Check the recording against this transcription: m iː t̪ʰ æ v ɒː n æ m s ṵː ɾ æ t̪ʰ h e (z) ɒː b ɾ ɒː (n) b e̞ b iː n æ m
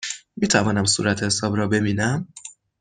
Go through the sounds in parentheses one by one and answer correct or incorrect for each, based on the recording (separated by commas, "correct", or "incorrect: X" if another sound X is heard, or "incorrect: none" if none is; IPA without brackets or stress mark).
incorrect: s, incorrect: none